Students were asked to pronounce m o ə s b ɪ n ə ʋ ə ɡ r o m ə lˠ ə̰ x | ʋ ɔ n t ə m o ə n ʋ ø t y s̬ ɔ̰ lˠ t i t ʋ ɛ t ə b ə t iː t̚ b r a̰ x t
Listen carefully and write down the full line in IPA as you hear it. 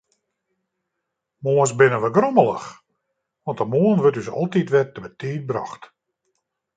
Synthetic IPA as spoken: m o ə s b ɪ n ə ʋ ə ɡ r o m ə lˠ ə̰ x | ʋ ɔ n t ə m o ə n ʋ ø t y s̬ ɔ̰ lˠ t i t ʋ ɛ t ə b ə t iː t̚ b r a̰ x t

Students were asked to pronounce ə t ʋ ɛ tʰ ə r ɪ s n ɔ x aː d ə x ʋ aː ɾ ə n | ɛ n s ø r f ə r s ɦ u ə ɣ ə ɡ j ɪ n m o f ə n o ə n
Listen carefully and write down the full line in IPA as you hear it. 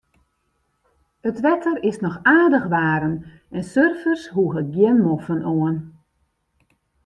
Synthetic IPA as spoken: ə t ʋ ɛ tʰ ə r ɪ s n ɔ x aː d ə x ʋ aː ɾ ə n | ɛ n s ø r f ə r s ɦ u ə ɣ ə ɡ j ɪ n m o f ə n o ə n

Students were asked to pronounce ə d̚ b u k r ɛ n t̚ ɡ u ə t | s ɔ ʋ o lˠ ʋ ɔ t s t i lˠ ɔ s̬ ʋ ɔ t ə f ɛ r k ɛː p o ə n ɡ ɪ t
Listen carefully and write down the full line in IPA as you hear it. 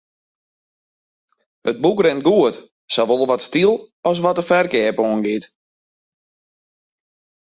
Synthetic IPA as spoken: ə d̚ b u k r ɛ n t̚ ɡ u ə t | s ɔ ʋ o lˠ ʋ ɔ t s t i lˠ ɔ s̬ ʋ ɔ t ə f ɛ r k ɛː p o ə n ɡ ɪ t

